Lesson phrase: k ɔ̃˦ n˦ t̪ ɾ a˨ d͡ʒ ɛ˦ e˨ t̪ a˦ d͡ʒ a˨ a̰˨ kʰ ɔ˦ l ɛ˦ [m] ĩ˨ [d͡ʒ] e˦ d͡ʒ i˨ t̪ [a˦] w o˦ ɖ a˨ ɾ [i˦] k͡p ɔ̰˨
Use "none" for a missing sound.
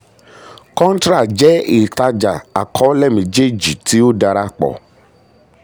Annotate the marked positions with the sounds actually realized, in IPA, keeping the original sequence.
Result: m, d͡ʒ, i˦, a˦

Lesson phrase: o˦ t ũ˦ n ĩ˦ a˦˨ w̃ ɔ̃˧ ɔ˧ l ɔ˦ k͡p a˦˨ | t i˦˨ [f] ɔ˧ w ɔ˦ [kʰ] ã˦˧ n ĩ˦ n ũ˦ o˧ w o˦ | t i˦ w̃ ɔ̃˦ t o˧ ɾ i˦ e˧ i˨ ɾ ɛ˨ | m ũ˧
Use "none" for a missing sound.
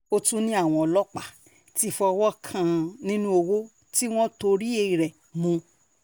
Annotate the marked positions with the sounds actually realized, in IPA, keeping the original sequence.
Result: f, kʰ

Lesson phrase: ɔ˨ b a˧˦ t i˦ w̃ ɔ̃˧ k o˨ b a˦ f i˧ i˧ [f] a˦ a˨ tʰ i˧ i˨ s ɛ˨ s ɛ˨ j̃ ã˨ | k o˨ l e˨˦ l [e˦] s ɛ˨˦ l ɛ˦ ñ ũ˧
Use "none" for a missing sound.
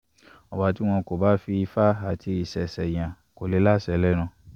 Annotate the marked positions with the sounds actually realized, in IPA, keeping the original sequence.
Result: f, a˦

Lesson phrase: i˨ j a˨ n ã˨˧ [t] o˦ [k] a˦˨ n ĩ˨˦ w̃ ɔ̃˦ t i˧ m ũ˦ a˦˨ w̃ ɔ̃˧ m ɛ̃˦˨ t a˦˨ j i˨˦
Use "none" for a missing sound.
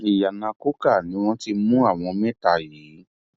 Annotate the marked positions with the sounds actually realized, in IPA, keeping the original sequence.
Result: k, k

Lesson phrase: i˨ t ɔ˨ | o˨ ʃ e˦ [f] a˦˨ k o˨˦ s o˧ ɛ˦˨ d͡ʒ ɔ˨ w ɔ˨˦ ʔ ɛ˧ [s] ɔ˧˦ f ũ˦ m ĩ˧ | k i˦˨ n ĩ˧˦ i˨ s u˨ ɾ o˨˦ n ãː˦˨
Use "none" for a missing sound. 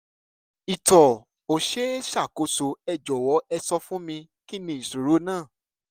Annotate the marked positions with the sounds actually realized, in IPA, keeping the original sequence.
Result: ʃ, s

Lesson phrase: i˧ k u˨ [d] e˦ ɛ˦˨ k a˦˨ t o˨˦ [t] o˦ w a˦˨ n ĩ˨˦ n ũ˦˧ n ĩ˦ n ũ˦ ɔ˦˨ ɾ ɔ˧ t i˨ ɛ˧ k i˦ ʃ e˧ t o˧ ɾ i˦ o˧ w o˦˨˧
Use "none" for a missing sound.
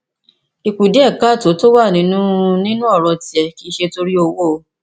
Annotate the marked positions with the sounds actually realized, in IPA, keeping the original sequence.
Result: d, t

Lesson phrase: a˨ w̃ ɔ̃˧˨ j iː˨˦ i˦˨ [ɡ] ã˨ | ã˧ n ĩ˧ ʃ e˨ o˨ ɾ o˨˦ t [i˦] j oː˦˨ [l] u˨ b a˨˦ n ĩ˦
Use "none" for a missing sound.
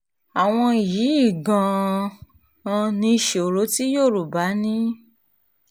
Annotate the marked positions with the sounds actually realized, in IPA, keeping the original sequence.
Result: ɡ, i˦, ɾ

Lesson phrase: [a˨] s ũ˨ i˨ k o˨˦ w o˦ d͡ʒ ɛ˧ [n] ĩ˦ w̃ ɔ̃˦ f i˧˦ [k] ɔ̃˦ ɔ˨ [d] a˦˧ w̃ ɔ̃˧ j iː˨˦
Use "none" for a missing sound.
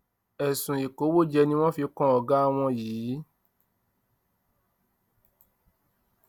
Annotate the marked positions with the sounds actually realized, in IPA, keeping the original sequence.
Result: ɛ˨, n, k, ɡ

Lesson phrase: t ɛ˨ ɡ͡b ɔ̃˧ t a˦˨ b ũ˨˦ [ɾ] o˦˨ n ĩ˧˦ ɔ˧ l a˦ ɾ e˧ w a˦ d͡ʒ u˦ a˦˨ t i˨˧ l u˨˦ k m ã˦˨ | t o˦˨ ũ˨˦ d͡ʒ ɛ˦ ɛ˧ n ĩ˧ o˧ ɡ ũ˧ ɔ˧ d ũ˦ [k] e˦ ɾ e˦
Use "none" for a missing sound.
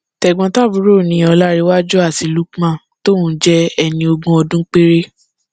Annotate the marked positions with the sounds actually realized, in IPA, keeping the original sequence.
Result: ɾ, k͡p

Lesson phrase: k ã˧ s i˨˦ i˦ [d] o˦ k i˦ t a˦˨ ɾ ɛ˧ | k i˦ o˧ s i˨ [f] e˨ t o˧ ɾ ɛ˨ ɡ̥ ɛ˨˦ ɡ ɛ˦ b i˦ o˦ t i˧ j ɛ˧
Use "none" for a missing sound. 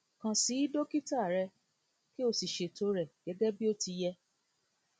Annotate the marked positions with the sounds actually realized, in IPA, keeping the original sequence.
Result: d, ʃ

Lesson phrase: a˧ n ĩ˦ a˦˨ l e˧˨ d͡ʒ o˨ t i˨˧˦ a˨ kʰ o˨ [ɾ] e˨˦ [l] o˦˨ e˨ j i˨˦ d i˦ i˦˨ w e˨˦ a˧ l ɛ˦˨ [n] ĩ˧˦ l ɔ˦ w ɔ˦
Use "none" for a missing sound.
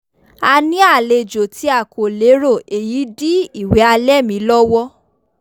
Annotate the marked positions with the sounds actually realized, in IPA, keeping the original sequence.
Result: l, ɾ, m

